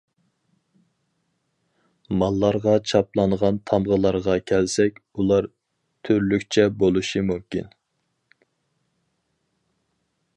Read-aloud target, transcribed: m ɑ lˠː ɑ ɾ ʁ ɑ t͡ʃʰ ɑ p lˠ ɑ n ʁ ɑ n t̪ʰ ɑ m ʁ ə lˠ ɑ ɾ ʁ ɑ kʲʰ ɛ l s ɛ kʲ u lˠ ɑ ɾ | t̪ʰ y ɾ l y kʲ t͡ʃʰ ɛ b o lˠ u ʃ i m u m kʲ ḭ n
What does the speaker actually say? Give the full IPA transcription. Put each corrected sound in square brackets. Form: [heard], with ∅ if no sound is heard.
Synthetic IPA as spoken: m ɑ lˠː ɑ ɾ ʁ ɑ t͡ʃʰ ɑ p lˠ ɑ n ʁ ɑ n t̪ʰ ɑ m ʁ ə lˠ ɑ ɾ ʁ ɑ kʲʰ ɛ l s ɛ kʲ u lˠ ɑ ɾ | t̪ʰ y ɾ l y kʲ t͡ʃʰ ɛ b o lˠ u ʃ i m u m kʲ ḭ n